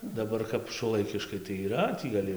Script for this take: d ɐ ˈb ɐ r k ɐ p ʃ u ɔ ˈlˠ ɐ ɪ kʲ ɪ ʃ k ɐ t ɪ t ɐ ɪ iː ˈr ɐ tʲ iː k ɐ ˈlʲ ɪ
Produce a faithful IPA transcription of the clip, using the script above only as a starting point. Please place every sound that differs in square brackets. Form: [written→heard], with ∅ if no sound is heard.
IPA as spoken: d ɐ ˈb ɐ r k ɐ p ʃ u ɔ ˈlˠ ɐ ɪ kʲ ɪ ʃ k ɐ [t→∅] ɪ t ɐ ɪ iː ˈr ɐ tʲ iː [k→ɡ] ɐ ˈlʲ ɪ